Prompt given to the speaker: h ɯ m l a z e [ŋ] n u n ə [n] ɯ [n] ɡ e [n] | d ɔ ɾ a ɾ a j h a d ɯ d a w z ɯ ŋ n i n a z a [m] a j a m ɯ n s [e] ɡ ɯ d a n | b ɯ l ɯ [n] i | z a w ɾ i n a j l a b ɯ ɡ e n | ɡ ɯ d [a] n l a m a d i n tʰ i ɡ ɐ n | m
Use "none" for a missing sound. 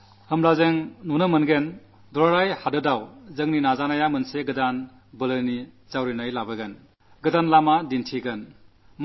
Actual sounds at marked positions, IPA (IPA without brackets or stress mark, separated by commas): ŋ, m, n, n, n, e, n, a